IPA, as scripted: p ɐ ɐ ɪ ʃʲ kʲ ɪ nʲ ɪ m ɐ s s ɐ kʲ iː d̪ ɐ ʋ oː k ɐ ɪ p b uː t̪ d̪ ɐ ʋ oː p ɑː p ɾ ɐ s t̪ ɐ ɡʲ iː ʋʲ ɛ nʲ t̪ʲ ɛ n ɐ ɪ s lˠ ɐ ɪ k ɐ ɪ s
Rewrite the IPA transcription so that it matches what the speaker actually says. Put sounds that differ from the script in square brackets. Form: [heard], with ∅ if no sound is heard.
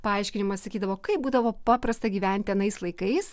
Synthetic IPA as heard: p ɐ ɐ ɪ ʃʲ kʲ ɪ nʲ ɪ m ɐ s s ɐ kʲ iː d̪ ɐ ʋ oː k ɐ ɪ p b uː [∅] d̪ ɐ ʋ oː p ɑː p ɾ ɐ s t̪ ɐ ɡʲ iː ʋʲ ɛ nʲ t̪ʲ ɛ n ɐ ɪ s lˠ ɐ ɪ k ɐ ɪ s